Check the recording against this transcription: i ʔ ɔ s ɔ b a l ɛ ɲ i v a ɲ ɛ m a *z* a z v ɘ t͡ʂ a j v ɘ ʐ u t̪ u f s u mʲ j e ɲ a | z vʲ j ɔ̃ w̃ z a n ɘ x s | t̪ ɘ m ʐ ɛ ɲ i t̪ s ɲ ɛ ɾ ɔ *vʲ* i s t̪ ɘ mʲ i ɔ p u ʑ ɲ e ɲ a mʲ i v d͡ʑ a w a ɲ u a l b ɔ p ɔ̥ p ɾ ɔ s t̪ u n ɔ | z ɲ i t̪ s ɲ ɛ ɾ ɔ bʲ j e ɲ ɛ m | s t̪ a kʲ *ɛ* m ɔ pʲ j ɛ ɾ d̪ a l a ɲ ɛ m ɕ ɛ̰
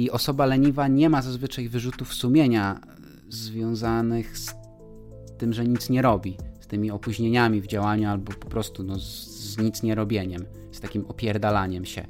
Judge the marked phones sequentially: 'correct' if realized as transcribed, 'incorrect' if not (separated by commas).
correct, incorrect, incorrect